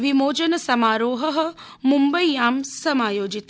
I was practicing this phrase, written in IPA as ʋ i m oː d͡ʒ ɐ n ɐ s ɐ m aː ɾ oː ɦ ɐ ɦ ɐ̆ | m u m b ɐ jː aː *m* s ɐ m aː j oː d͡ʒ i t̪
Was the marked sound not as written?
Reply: no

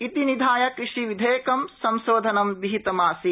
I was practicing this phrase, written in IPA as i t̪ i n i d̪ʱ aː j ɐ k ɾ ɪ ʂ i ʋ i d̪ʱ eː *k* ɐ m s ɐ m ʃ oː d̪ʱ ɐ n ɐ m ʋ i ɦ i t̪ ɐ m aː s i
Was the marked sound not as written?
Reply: no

